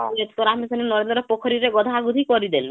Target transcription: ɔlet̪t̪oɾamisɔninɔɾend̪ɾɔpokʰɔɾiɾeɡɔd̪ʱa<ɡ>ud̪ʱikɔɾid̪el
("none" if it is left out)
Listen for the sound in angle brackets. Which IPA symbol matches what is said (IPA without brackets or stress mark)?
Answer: ɡ